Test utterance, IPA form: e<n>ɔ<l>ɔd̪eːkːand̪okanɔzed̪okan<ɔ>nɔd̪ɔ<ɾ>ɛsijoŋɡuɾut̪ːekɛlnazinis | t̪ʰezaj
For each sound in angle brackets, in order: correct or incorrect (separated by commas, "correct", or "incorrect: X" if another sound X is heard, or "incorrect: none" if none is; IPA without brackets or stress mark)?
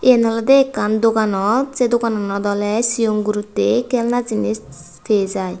correct, correct, correct, incorrect: l